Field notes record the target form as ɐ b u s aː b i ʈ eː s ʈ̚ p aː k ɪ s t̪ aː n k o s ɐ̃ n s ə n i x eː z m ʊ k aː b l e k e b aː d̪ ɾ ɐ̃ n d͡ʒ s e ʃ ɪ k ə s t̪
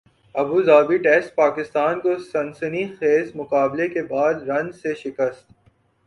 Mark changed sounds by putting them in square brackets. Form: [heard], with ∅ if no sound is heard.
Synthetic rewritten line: ɐ b u [z] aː b i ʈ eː s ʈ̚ p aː k ɪ s t̪ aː n k o s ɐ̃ n s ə n i x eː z m ʊ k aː b l e k e b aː d̪ ɾ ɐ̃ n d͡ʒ s e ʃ ɪ k ə s t̪